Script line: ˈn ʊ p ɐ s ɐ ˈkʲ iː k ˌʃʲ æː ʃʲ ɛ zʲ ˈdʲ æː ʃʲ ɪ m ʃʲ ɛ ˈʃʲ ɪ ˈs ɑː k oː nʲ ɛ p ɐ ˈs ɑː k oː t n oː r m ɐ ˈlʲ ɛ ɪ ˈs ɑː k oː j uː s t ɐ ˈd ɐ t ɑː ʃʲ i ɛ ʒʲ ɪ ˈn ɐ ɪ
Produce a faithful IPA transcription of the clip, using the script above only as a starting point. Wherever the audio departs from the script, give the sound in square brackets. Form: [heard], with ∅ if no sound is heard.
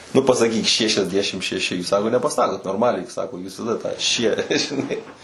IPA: ˈn ʊ p ɐ s ɐ ˈkʲ iː k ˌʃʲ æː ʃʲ ɛ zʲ ˈdʲ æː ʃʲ ɪ m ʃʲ ɛ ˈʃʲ ɪ ˈs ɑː k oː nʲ ɛ p ɐ ˈs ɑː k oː t n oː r m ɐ ˈlʲ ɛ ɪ ˈs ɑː k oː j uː s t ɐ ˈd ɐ t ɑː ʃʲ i ɛ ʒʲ ɪ ˈn ɐ ɪ